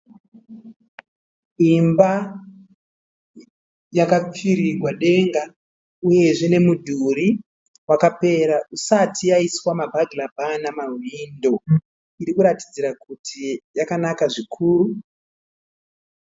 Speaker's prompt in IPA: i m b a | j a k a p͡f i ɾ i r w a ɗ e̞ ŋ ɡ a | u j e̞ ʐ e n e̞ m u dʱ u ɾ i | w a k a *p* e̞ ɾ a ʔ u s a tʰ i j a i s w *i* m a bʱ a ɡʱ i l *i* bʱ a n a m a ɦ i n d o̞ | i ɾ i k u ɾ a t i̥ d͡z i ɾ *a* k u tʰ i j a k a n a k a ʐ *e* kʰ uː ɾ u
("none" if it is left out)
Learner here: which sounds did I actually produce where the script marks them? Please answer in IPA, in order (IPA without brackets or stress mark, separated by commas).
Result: p, a, a, a, i